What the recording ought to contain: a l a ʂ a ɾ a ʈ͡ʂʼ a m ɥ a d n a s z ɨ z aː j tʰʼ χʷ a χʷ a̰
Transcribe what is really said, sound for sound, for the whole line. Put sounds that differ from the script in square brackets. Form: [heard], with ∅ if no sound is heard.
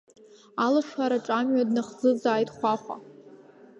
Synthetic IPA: a l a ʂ a ɾ a ʈ͡ʂʼ a m ɥ a d n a [χ] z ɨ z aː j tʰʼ χʷ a χʷ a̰